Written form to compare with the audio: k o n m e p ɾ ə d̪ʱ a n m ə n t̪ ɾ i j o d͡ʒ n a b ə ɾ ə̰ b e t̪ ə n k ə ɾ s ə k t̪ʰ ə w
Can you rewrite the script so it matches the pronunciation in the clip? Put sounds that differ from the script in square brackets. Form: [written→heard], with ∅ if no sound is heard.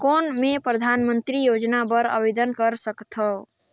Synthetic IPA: k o n m e p ɾ ə d̪ʱ a n m ə n t̪ ɾ i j o d͡ʒ n a b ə ɾ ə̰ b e [t̪→d̪] ə n k ə ɾ s ə k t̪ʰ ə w